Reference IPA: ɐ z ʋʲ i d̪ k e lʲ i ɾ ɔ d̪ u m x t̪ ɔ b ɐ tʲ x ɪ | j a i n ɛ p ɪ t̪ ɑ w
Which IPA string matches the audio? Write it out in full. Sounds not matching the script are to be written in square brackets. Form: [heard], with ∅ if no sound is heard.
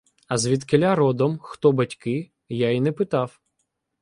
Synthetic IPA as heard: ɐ z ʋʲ i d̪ k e lʲ [a] ɾ ɔ d̪ [ɔ] m x t̪ ɔ b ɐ tʲ [k] ɪ | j a i n ɛ p ɪ t̪ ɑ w